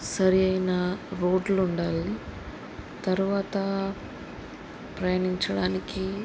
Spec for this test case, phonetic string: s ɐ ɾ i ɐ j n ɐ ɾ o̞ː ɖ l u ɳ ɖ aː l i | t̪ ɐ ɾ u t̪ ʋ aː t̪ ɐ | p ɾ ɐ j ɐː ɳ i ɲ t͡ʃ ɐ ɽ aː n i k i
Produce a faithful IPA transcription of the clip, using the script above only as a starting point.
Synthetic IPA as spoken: s ɐ ɾ i ɐ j n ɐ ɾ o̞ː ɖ l u ɳ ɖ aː l i | t̪ ɐ ɾ u ʋ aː t̪ ɐ | p ɾ ɐ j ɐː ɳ i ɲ t͡ʃ ɐ ɽ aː n i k i